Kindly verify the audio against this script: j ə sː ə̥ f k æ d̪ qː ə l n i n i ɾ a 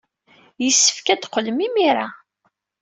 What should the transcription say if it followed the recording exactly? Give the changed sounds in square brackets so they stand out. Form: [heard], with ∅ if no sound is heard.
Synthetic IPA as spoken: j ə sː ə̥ f k æ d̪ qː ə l [m] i [m] i ɾ a